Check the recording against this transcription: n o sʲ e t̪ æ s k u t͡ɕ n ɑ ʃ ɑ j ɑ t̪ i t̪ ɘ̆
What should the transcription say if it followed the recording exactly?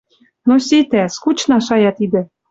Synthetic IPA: n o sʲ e t̪ æ s k u t͡ɕ n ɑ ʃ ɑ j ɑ t̪ i d̪ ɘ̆